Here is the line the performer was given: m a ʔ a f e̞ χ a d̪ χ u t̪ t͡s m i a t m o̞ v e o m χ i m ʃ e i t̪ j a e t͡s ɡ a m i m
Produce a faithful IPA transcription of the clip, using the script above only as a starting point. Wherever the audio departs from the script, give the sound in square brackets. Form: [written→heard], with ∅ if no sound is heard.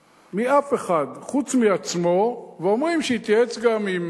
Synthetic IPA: m [a→i] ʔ a f e̞ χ a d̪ χ u [t̪→∅] t͡s m i a [t→t͡s] m o̞ v e o m [χ→ʁ] i m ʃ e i t̪ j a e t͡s ɡ a m i m